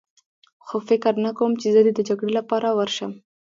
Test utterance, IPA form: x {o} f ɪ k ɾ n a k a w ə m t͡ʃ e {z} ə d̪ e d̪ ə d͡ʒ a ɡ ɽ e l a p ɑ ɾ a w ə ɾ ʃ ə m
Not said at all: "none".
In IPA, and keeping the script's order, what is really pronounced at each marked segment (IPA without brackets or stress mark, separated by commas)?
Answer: o, z